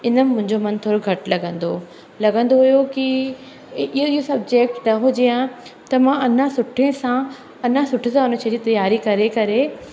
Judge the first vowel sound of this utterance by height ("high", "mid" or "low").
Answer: high